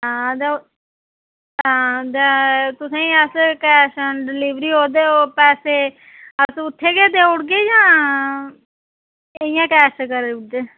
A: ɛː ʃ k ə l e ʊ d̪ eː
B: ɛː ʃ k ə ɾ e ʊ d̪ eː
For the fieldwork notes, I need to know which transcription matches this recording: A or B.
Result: B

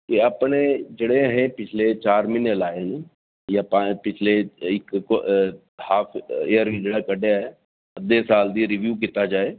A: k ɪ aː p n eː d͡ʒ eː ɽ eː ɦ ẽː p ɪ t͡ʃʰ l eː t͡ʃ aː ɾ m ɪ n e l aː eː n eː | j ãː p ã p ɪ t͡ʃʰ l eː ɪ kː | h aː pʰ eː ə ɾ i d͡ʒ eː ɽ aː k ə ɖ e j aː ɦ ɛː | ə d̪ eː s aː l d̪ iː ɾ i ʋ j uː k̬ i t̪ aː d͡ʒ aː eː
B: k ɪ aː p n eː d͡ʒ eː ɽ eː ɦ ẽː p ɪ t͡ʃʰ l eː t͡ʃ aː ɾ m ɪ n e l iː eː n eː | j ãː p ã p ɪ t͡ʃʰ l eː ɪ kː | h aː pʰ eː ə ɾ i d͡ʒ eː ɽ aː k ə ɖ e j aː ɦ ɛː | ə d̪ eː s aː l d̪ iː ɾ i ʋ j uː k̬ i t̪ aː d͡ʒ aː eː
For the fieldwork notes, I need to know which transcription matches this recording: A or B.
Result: A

